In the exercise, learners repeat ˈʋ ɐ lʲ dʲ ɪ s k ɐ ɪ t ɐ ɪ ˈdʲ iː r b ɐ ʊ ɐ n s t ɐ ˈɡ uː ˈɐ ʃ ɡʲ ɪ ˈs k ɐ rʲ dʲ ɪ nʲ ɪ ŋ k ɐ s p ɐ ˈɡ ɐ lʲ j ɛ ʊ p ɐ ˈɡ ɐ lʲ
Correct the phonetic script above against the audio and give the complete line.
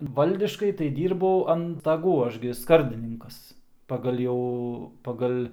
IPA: ˈʋ ɐ lʲ dʲ ɪ ʃ k ɐ ɪ t ɐ ɪ ˈdʲ iː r b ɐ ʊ ɐ n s t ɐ ˈɡ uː ˈɐ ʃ ɡʲ ɪ ˈs k ɐ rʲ dʲ ɪ nʲ ɪ ŋ k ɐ s p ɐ ˈɡ ɐ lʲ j ɛ ʊ p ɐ ˈɡ ɐ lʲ

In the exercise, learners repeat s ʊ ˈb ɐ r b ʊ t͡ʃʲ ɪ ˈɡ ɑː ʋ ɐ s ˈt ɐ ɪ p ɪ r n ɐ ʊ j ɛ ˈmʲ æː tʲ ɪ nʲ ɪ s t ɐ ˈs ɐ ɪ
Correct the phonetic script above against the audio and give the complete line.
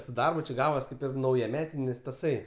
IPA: s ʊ ˈd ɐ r b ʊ t͡ʃʲ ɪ ˈɡ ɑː ʋ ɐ s ˈk ɐ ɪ p ɪ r n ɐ ʊ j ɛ ˈmʲ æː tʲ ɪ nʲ ɪ s t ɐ ˈs ɐ ɪ

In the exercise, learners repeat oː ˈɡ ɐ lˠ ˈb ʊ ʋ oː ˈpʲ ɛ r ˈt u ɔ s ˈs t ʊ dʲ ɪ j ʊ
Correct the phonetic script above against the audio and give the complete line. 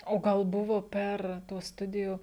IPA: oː ˈɡ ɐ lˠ ˈb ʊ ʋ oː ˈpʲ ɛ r ˈt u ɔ s ˈs t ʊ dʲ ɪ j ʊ

